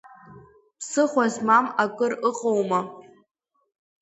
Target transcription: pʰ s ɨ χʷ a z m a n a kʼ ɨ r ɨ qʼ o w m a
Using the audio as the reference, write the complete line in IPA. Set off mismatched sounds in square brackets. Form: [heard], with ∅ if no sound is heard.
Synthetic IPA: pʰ s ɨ χʷ a z m a [m] a kʼ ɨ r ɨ qʼ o w m a